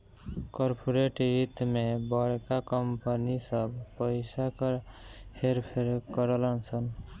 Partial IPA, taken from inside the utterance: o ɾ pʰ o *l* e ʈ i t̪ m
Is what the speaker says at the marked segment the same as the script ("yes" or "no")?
no